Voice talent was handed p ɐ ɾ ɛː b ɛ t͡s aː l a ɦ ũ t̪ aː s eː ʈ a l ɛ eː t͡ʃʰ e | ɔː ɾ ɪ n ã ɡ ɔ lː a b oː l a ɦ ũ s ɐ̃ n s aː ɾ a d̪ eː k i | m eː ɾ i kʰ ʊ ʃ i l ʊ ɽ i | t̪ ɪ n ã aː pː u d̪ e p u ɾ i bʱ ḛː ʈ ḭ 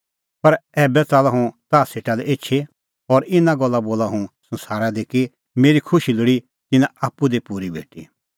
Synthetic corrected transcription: p ɐ ɾ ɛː b ɛ t͡s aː l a ɦ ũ t̪ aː s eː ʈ a l ɛ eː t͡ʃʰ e | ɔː ɾ ɪ n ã ɡ ɔ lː a b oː l a ɦ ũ s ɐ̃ n s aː ɾ a d̪ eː k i | m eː ɾ i kʰ ʊ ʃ i l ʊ ɽ i | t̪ ɪ n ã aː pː u d̪ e p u ɾ i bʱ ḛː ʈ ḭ

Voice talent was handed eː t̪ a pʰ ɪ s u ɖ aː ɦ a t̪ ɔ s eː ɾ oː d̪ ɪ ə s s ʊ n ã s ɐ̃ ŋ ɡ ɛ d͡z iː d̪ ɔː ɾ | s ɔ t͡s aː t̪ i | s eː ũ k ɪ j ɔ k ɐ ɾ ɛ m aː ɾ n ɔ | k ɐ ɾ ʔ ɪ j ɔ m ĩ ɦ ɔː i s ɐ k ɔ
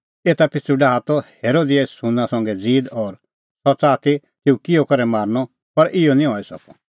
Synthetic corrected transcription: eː t̪ a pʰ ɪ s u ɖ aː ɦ a t̪ ɔ h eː ɾ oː d̪ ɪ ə s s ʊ n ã s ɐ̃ ŋ ɡ ɛ d͡z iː d̪ ɔː ɾ | s ɔ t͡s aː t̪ i | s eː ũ k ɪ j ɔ k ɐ ɾ ɛ m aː ɾ n ɔ | p ɐ ɾ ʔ ɪ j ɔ n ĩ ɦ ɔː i s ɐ k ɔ

